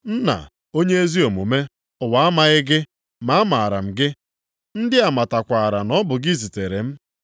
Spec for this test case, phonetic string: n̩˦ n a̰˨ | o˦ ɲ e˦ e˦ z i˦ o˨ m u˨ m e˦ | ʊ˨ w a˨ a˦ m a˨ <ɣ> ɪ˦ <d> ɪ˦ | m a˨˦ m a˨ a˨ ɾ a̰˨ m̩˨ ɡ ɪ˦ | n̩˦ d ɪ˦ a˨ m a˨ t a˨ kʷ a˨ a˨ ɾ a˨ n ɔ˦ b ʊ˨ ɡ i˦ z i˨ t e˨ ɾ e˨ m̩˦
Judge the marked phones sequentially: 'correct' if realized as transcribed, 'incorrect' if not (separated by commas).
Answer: correct, incorrect